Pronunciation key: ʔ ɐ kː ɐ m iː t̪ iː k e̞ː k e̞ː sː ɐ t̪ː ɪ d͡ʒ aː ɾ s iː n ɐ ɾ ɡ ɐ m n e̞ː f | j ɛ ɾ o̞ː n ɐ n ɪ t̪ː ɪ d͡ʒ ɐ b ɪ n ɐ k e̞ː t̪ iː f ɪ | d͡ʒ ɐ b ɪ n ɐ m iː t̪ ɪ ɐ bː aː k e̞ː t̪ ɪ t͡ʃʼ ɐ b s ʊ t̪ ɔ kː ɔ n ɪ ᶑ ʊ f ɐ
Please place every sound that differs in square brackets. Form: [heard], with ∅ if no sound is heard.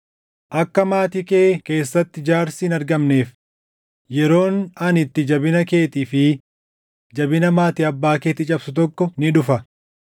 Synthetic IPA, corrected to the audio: ʔ ɐ kː ɐ m [aː] t̪ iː k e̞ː k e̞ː sː ɐ t̪ː ɪ d͡ʒ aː ɾ s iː n ɐ ɾ ɡ ɐ m n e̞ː f | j ɛ ɾ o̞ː n ɐ n ɪ t̪ː ɪ d͡ʒ ɐ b ɪ n ɐ k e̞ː t̪ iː f ɪ | d͡ʒ ɐ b ɪ n ɐ m [aː] t̪ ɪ ɐ bː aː k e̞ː t̪ ɪ t͡ʃʼ ɐ b s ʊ t̪ ɔ kː ɔ n ɪ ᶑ ʊ f ɐ